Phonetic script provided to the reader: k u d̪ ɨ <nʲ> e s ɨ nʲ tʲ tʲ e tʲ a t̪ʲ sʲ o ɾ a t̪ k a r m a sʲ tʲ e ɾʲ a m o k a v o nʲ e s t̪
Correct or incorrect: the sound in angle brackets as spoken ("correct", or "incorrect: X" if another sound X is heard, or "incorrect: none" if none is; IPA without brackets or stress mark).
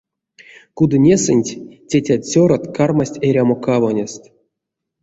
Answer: correct